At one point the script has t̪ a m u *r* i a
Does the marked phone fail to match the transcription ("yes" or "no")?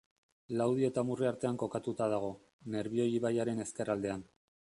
no